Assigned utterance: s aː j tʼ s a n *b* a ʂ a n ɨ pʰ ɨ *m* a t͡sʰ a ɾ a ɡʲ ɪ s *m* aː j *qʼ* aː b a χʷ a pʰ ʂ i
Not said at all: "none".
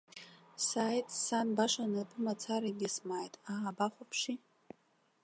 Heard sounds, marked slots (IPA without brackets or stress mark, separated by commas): b, m, m, tʼ